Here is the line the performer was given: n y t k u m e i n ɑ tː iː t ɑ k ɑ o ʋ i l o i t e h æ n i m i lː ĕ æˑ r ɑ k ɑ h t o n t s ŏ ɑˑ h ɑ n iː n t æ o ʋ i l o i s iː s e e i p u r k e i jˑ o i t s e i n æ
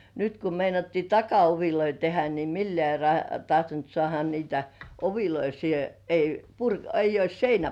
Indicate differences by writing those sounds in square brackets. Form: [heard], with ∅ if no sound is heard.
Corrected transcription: n y t k u m e i n ɑ tː iː t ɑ k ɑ o ʋ i l o i t e h æ n i m i lː ĕ æˑ r ɑ [t] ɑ h t o n t s ŏ ɑˑ h ɑ n iː [∅] t æ o ʋ i l o i s iː [h] e e i p u r k e i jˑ o i [s] s e i n æ